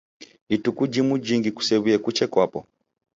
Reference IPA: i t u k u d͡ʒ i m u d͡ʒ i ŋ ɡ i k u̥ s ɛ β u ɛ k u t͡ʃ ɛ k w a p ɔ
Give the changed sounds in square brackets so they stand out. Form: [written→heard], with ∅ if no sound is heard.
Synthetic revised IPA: i t u k u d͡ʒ i m u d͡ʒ i ŋ ɡ i k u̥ s ɛ β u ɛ k u t͡ʃ ɛ k w a p ɔ